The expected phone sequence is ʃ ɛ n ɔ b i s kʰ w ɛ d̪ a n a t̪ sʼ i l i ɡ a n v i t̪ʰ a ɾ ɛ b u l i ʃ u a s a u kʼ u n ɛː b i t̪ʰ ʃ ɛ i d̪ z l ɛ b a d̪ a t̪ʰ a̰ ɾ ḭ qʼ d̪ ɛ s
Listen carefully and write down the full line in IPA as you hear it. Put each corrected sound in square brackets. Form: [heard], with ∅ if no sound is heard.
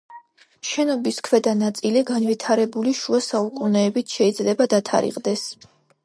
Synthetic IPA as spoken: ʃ ɛ n ɔ b i s kʰ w ɛ d̪ a n a t̪ sʼ i l i ɡ a n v i t̪ʰ a ɾ ɛ b u l i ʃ u a s a u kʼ u n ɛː b i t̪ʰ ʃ ɛ i d̪ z l ɛ b a d̪ a t̪ʰ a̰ ɾ ḭ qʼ d̪ ɛ s